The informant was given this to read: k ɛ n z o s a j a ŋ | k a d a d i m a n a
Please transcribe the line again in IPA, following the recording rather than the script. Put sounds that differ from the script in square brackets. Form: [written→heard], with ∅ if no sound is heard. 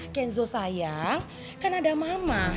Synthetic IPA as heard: k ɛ n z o s a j a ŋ | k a [d→n] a d [i→a] m a [n→m] a